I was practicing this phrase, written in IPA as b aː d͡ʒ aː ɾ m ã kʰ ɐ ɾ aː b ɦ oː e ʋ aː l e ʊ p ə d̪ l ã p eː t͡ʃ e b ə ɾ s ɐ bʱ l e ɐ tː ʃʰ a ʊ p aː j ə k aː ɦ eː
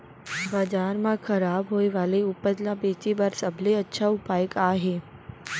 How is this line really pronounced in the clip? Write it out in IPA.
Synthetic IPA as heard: b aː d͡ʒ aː ɾ m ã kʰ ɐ ɾ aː b ɦ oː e ʋ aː l e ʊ p ə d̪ l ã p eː t͡ʃ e b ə ɾ s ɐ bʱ l e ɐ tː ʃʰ a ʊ p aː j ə k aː ɦ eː